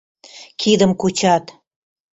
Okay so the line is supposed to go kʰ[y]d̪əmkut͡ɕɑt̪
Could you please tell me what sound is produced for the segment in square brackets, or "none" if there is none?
i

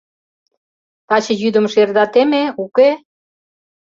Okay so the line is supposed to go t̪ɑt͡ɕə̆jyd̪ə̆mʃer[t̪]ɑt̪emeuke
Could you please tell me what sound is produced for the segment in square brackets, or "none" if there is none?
d̪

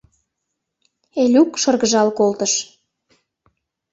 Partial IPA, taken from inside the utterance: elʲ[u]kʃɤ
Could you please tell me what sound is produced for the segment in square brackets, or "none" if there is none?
u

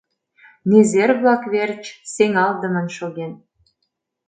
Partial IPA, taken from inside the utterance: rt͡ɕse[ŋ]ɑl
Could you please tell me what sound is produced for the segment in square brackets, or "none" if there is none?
ŋ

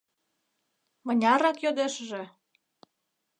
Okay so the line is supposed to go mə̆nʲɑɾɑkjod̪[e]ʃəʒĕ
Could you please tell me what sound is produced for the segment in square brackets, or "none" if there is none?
e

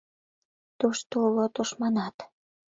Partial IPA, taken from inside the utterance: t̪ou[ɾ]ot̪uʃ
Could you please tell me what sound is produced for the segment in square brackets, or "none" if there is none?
l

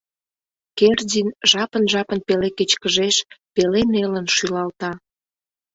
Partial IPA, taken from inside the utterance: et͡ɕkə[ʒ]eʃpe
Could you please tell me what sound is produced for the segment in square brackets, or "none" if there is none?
ʒ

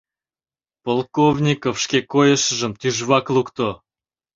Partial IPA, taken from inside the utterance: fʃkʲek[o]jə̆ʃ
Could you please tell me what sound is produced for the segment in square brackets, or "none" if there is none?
o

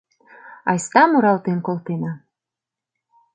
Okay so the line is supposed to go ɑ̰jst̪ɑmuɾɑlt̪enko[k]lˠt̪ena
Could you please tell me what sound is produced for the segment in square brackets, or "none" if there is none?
none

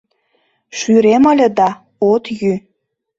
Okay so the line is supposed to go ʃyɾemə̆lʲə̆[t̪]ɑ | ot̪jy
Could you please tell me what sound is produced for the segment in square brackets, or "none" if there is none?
d̪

